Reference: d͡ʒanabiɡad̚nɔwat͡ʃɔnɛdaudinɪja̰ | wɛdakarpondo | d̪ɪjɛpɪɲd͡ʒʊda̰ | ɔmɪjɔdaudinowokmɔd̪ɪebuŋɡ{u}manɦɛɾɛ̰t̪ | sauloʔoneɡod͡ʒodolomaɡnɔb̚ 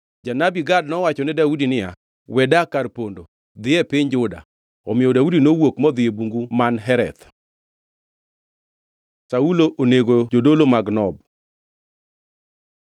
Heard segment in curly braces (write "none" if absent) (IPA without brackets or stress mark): u